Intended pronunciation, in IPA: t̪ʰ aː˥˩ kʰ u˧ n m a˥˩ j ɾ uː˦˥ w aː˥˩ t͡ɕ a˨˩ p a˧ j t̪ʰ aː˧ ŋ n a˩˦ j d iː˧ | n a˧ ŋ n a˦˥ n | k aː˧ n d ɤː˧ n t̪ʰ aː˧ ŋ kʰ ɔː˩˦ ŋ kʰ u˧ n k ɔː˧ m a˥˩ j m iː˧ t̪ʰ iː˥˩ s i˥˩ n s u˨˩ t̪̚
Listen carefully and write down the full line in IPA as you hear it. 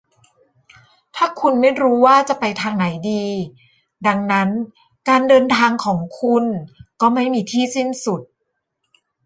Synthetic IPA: t̪ʰ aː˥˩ kʰ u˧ n m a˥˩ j ɾ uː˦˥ w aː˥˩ t͡ɕ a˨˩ p a˧ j t̪ʰ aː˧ ŋ n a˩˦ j d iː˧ | d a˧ ŋ n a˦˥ n | k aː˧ n d ɤː˧ n t̪ʰ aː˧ ŋ kʰ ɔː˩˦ ŋ kʰ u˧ n k ɔː˥˩ m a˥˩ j m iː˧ t̪ʰ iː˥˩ s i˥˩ n s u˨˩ t̪̚